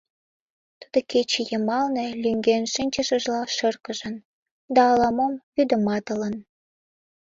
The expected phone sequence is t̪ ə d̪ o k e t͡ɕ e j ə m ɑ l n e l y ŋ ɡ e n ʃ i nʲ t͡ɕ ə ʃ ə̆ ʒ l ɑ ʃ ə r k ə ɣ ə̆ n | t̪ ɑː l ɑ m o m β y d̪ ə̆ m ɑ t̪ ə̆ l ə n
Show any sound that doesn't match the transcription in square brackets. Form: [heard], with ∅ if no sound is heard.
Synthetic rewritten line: t̪ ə d̪ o k e t͡ɕ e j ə m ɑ l n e l y ŋ ɡ e n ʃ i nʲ t͡ɕ ə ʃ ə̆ ʒ l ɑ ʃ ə r k ə [ʒ] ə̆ n | [d̪] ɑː l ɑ m o m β y d̪ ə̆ m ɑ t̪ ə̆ l ə n

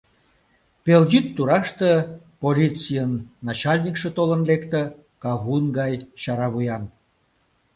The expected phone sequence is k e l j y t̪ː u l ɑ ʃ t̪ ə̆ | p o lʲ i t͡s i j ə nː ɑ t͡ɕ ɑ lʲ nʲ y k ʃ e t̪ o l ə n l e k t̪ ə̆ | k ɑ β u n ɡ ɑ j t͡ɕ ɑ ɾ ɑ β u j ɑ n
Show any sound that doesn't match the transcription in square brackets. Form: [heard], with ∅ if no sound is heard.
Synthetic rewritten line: [p] e l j y t̪ː u [ɾ] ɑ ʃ t̪ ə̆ | p o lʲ i t͡s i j ə nː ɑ t͡ɕ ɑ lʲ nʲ [i] k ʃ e t̪ o l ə n l e k t̪ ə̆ | k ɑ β u n ɡ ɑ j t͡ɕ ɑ ɾ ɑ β u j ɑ n

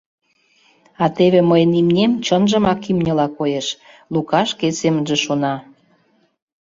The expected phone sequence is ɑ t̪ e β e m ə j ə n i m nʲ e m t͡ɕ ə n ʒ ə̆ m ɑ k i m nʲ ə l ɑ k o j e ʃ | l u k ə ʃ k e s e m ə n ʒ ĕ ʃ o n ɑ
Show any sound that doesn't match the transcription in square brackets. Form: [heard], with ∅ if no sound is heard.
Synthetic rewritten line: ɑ t̪ e β e m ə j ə n i m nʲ e m t͡ɕ ə n ʒ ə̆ m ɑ k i m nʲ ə l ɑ k o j e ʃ | l u k [ɑ] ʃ k e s e m ə n ʒ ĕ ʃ o n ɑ

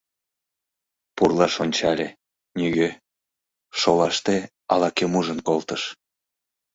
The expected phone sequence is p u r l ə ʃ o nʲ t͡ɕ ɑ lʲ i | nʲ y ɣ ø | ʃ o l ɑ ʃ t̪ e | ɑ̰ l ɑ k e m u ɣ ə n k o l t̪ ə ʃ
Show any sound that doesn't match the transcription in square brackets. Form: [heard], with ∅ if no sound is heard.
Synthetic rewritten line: p u r l [ɑ] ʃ o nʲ t͡ɕ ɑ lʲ [e] | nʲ y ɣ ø | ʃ o l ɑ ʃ t̪ e | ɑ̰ l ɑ k e m u [ʒ] ə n k o l t̪ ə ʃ

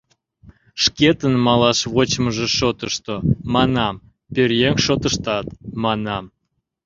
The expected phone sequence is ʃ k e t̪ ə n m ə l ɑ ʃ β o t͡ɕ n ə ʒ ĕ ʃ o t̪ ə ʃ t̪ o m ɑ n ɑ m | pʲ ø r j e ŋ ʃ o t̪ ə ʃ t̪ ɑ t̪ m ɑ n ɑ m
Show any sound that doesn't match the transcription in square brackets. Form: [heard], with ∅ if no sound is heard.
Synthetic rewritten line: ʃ k e t̪ ə n m [ɑ] l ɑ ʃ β o t͡ɕ [m] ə ʒ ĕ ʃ o t̪ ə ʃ t̪ o m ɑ n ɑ m | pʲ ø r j e ŋ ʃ o t̪ ə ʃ t̪ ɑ t̪ m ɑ n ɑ m

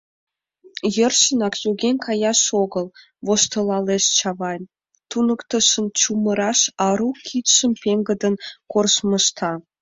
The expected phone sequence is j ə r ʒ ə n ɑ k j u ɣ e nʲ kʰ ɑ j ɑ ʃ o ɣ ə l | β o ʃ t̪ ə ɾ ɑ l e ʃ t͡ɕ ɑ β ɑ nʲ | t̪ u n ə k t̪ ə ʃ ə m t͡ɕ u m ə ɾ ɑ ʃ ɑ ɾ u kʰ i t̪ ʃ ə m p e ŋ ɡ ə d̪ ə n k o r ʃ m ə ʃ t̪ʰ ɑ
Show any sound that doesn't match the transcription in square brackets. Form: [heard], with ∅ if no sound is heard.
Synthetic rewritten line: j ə r [ʃ] ə n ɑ k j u ɣ e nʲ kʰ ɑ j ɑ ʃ o ɣ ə l | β o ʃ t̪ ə [l] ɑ l e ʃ t͡ɕ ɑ β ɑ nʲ | t̪ u n ə k t̪ ə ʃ ə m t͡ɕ u m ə ɾ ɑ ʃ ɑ ɾ u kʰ i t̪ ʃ ə m p e ŋ ɡ ə d̪ ə n k o r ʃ m ə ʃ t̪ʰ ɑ

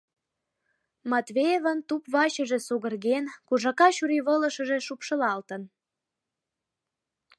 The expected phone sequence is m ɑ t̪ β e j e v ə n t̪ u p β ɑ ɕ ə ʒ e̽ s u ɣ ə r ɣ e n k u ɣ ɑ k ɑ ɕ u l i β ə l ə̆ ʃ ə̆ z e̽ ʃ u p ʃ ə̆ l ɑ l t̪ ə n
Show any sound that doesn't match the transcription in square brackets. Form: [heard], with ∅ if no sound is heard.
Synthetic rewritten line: m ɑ t̪ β e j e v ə n t̪ u p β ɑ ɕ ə ʒ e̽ s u ɣ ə r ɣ e n k u [ʒ] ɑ k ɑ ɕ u [ɾ] i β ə l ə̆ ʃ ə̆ [ʒ] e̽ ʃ u p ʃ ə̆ l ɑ l t̪ ə n

